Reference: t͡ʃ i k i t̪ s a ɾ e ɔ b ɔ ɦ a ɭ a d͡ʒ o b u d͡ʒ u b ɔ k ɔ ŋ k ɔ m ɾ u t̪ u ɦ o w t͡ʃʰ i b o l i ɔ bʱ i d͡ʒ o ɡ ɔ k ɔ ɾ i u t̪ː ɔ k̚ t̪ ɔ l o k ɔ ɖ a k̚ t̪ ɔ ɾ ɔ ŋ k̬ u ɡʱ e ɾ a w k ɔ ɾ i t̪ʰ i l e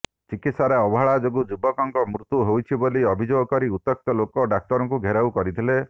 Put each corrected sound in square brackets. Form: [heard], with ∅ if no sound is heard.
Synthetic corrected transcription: t͡ʃ i k i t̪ s a ɾ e ɔ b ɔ ɦ a ɭ a d͡ʒ o [ɡ] u d͡ʒ u b ɔ k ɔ ŋ k ɔ m ɾ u t̪ u ɦ o w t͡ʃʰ i b o l i ɔ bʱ i d͡ʒ o ɡ ɔ k ɔ ɾ i u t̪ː ɔ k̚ t̪ ɔ l o k ɔ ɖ a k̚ t̪ ɔ ɾ ɔ ŋ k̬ u ɡʱ e ɾ a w k ɔ ɾ i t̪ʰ i l e